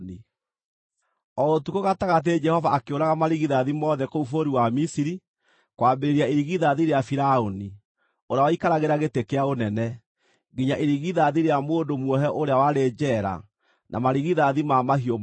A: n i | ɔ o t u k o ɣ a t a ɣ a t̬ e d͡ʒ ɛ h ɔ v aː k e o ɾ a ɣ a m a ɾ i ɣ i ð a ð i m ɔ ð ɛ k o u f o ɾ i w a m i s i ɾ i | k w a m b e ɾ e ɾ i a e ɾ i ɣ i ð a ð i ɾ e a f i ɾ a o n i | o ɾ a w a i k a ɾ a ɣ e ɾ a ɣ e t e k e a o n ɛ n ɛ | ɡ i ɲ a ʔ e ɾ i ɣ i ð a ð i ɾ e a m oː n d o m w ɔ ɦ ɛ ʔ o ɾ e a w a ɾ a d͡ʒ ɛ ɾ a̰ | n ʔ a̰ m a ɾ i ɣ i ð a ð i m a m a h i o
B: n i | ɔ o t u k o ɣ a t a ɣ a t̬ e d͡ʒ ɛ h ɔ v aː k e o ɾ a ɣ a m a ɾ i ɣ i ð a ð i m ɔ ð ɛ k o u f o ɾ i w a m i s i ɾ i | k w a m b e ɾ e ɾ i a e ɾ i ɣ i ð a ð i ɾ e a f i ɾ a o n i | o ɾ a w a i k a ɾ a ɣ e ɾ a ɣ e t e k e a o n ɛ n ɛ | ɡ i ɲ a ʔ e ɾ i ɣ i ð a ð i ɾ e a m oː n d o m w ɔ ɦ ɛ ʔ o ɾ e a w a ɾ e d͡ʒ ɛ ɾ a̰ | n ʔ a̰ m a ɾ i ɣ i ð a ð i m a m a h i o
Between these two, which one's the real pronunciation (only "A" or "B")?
B